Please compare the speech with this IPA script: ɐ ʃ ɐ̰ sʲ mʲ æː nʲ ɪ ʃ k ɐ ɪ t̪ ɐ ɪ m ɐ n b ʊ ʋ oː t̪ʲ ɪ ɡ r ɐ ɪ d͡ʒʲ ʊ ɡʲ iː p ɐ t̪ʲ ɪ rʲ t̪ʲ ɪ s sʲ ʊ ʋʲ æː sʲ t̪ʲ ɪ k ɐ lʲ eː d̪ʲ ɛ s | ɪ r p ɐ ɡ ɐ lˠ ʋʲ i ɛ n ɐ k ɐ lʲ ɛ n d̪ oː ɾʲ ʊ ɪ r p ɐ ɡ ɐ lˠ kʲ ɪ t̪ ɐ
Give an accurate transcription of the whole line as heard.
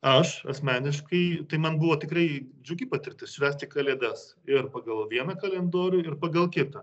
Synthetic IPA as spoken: ɐ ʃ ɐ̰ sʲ mʲ æː nʲ ɪ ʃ k ɐ ɪ t̪ ɐ ɪ m ɐ n b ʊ ʋ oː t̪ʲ ɪ k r ɐ ɪ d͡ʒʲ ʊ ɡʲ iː p ɐ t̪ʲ ɪ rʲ t̪ʲ ɪ s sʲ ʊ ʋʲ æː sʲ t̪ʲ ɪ k ɐ lʲ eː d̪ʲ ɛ s | ɪ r p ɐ ɡ ɐ lˠ ʋʲ i ɛ n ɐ k ɐ lʲ ɛ n d̪ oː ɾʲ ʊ ɪ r p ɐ ɡ ɐ lˠ kʲ ɪ t̪ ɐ